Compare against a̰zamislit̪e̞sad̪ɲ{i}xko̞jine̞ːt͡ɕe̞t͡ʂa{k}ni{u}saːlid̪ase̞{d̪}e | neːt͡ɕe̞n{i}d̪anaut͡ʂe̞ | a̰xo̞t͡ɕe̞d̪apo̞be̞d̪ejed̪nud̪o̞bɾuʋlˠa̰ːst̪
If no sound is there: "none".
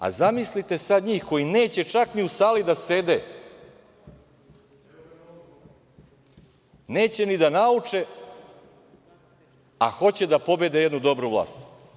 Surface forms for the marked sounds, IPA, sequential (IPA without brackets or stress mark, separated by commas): iː, k, u, d̪, i